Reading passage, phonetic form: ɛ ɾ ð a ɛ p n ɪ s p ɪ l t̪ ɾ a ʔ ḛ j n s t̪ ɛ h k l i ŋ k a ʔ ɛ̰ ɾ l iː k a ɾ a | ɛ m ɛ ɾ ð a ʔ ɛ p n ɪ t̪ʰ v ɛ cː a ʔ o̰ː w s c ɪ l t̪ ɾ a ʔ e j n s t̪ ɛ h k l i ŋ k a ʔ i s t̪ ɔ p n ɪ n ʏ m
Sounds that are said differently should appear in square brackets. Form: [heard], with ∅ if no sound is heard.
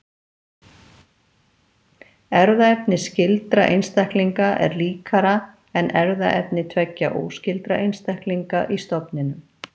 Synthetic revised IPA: ɛ ɾ ð a ɛ p n ɪ s [c] ɪ l t̪ ɾ a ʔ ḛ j n s t̪ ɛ h k l i ŋ k a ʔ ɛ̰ ɾ l iː k a ɾ a | ɛ [n] ɛ ɾ ð a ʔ ɛ p n ɪ t̪ʰ v ɛ cː a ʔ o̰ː w s c ɪ l t̪ ɾ a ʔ e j n s t̪ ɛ h k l i ŋ k a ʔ i s t̪ ɔ p n ɪ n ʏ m